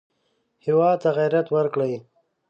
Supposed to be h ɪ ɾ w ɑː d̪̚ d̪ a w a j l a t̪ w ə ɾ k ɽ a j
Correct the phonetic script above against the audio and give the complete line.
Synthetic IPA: h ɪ w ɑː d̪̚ t̪ a ɣ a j ɾ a t̪ w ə ɾ k ɽ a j